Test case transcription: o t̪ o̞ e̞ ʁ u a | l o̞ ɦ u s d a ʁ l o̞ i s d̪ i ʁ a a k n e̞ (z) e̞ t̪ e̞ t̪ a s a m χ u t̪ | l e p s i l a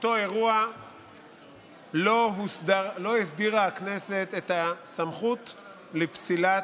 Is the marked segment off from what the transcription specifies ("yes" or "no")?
yes